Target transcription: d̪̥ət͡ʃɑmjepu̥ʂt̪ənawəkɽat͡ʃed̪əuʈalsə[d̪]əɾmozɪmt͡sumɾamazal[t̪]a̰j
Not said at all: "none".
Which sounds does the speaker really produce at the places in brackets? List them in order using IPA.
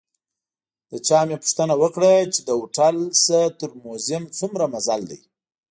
t̪, d̪

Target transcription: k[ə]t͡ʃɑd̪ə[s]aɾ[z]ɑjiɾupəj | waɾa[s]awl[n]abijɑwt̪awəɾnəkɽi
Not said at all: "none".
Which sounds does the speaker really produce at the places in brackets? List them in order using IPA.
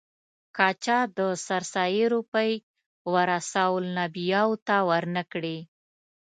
ɑ, s, s, s, n

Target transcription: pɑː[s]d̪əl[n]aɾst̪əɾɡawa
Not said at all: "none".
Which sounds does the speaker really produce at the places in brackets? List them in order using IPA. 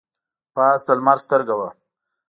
s, m

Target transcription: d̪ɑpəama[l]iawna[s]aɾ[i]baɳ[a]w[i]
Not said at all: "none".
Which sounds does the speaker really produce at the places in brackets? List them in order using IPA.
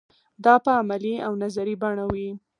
l, z, i, a, i

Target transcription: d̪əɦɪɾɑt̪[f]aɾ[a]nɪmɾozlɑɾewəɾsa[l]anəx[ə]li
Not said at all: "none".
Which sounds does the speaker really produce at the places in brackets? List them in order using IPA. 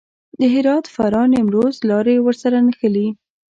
f, ɑ, ɾ, ə

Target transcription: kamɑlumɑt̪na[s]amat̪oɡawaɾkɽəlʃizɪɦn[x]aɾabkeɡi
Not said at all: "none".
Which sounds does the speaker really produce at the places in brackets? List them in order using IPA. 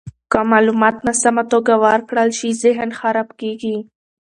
s, x

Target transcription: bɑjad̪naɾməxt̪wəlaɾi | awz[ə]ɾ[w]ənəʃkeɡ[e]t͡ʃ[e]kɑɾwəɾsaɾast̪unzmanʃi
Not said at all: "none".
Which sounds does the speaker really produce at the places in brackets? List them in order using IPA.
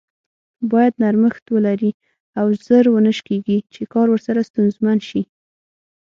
ə, w, i, e

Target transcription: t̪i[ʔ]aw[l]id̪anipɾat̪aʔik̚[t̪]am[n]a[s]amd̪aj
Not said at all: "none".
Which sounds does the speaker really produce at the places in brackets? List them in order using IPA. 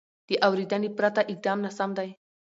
ʔ, ɾ, d̪, n, s

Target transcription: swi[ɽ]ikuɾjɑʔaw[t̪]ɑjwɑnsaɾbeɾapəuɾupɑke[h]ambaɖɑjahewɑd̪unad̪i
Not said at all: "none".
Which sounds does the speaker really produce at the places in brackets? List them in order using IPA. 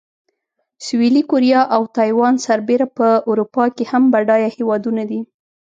l, t̪, h

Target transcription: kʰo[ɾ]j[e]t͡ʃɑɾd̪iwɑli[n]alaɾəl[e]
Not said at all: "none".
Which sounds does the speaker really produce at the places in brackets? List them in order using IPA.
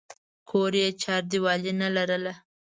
ɾ, e, n, a

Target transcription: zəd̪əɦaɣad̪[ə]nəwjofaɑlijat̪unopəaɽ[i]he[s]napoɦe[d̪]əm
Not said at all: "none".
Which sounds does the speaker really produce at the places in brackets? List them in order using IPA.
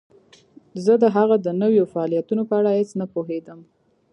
ə, a, t͡s, d̪

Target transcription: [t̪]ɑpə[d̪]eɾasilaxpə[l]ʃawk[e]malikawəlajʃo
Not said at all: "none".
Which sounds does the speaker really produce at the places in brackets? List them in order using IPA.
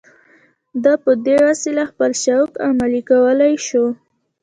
d̪, d̪, l, a

